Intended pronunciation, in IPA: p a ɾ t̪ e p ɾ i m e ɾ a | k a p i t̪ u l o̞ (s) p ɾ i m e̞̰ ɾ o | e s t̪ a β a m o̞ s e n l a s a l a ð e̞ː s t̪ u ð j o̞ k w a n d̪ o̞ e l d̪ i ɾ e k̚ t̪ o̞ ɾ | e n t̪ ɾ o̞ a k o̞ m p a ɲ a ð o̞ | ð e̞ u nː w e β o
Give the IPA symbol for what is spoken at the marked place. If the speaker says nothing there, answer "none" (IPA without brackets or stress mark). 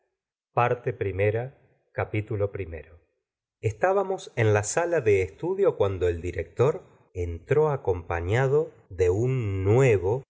none